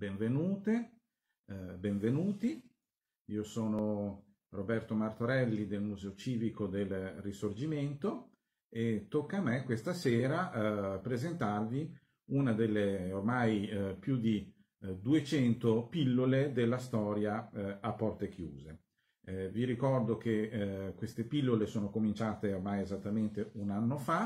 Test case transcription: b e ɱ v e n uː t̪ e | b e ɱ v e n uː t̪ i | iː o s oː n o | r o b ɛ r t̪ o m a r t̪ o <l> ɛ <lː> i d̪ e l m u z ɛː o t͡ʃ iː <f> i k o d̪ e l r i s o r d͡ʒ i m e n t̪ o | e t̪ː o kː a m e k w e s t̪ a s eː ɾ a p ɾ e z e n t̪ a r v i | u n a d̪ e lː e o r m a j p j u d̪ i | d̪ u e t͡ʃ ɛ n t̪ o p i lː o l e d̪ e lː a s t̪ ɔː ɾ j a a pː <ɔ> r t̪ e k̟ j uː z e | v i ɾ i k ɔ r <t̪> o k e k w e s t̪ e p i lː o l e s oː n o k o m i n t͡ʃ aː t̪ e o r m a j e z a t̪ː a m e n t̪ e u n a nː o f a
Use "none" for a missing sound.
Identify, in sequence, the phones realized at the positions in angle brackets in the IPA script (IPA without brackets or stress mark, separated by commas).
ɾ, lː, v, ɔ, d̪